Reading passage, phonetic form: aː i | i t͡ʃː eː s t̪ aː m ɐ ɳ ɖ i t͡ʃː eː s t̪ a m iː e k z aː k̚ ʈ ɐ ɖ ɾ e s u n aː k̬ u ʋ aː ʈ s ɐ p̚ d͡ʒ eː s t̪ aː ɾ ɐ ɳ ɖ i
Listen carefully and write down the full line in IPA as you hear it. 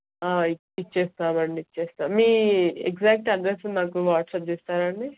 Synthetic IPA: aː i | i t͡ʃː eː s t̪ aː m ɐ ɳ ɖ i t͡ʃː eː s t̪ a m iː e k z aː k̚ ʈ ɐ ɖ ɾ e s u n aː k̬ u ʋ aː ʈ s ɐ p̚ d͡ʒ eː s t̪ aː ɾ ɐ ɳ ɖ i